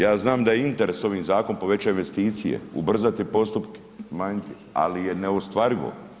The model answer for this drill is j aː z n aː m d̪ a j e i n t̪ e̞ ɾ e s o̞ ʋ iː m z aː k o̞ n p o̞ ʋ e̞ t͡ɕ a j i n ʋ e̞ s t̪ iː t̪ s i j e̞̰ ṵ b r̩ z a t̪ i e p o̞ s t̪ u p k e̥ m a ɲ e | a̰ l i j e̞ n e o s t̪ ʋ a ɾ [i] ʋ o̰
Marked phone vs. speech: correct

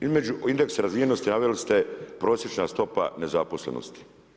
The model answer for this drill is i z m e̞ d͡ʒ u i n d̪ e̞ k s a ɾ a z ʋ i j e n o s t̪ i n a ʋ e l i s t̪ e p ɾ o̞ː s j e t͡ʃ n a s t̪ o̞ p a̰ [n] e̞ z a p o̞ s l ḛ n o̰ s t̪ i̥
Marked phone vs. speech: correct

